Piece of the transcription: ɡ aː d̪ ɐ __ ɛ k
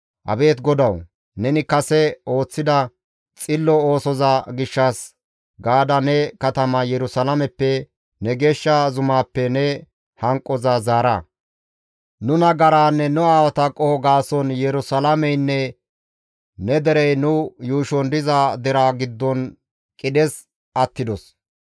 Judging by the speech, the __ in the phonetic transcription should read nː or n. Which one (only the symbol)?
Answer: n